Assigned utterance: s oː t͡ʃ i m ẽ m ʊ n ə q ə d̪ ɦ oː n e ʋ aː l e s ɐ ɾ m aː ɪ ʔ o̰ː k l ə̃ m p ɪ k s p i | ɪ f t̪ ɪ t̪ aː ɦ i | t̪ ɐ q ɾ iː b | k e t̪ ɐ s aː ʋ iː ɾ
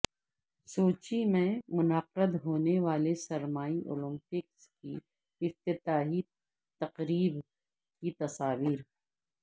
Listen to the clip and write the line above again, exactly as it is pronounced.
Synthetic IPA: s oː t͡ʃ i m ẽ m ʊ n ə q ə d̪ ɦ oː n e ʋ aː l e s ɐ ɾ m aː i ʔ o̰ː l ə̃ m p ɪ k s k i | ɪ f t̪ ɪ t̪ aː ɦ i | t̪ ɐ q ɾ iː b | k i t̪ ɐ s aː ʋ iː ɾ